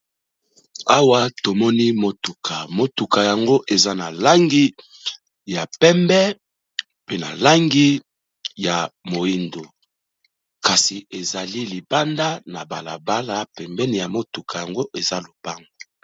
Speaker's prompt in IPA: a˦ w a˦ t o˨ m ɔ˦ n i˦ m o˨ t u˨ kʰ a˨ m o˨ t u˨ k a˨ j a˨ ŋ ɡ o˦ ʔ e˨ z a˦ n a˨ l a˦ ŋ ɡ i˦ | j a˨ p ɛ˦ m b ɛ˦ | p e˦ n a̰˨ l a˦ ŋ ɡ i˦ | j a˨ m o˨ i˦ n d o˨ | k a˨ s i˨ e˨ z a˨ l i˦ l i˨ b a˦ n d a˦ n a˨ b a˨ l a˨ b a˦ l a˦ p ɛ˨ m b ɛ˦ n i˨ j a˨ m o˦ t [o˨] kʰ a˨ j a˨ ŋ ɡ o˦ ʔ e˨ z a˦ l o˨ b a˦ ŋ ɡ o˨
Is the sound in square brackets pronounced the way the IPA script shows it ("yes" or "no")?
no